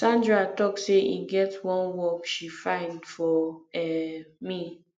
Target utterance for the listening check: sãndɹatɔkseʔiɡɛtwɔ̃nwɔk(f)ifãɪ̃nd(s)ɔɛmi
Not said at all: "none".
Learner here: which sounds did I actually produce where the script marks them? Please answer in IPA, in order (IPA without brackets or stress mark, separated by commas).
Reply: ʃ, f